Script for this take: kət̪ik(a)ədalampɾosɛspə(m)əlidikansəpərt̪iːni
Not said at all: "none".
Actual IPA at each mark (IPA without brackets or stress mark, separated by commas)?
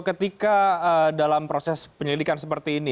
a, ɲ